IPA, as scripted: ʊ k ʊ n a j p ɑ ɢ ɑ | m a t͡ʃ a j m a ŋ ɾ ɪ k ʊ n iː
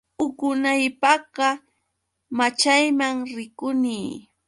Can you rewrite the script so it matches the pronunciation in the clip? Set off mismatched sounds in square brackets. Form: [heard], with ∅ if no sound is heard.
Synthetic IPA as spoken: ʊ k ʊ n a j p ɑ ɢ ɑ | m a t͡ʃ a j m a ŋ ɾ ɪ k ʊ n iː